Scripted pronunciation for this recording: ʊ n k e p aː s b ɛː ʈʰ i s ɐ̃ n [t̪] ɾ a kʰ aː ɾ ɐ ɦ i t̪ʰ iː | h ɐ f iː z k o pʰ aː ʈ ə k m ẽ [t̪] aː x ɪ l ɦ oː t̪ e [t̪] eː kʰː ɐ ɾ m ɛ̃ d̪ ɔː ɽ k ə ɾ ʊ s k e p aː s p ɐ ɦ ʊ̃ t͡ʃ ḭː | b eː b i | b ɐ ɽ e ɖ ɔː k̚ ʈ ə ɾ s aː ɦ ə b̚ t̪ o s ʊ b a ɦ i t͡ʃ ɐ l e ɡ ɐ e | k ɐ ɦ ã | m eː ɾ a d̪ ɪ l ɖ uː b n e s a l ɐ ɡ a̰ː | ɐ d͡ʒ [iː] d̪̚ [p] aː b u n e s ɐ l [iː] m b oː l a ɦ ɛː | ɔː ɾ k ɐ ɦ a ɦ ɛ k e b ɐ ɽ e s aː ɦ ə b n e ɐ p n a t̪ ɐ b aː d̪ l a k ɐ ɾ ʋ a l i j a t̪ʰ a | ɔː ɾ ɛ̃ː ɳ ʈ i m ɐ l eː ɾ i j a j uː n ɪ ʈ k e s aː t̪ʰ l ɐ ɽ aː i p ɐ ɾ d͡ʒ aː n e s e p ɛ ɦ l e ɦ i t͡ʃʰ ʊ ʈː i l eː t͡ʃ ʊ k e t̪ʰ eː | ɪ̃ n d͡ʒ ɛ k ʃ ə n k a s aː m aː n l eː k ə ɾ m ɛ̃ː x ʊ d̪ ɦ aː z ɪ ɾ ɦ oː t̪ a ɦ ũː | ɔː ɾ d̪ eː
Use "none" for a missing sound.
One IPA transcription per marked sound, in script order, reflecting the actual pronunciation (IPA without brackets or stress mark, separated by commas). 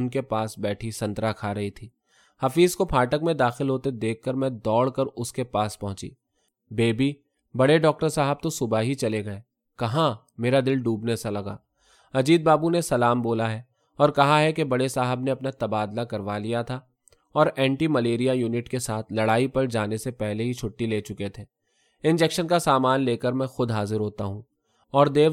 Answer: t̪, d̪, d̪, iː, b, aː